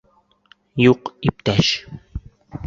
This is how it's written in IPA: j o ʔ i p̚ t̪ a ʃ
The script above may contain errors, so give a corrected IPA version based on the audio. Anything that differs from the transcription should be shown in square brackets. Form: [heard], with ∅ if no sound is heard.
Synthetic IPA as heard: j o [q] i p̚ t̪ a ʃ